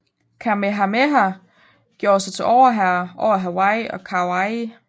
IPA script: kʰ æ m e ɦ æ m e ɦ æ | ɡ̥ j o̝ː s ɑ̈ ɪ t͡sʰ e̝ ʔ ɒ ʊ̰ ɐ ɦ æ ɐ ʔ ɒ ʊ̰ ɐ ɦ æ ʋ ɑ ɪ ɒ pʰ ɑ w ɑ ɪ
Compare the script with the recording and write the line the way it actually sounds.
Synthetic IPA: kʰ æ m e ɦ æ m e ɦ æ | ɡ̥ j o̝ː s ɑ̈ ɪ t͡sʰ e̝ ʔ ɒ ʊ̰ ɐ ɦ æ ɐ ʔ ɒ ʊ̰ ɐ ɦ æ w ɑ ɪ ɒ kʰ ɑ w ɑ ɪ